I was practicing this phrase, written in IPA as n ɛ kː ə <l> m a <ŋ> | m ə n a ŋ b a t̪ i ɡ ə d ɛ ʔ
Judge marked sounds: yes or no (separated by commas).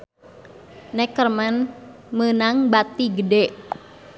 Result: no, no